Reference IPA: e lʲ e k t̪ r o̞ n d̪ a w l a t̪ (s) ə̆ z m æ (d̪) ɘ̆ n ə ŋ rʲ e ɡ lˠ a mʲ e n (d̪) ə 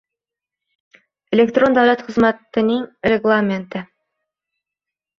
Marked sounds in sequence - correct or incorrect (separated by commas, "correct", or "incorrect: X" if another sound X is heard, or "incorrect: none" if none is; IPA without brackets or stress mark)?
incorrect: χ, incorrect: t̪, incorrect: t̪